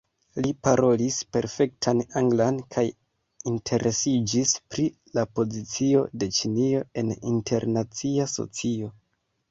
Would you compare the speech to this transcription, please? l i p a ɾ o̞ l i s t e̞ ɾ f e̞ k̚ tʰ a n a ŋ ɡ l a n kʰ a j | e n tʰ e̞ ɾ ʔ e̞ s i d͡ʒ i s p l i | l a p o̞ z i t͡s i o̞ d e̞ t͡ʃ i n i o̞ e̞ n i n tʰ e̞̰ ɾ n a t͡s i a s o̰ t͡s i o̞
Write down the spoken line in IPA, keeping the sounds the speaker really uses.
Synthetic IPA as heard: l i p a ɾ o̞ l i s p e̞ ɾ f e̞ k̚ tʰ a n a ŋ ɡ l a n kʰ a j | i n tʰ e̞ ɾ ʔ e̞ s i d͡ʒ i s p ɾ i | l a p o̞ z i t͡s i o̞ d e̞ t͡ʃ i n i o̞ e̞ n i n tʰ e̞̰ ɾ n a t͡s i a s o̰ t͡s i o̞

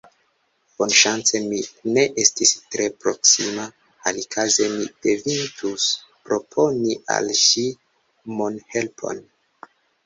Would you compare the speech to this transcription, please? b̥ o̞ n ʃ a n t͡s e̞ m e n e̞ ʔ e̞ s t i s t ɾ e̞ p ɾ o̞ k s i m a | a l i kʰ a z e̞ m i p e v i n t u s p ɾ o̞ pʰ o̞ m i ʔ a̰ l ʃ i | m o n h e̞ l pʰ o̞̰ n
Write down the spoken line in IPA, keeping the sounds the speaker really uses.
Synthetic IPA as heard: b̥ o̞ n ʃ a n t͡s e̞ m i n e̞ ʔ e̞ s t i s t ɾ e̞ p ɾ o̞ k s i m a | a l i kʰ a z e̞ m i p e v i n t u s p ɾ o̞ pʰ o̞ n i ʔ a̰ l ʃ i | m o n h e̞ l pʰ o̞̰ n

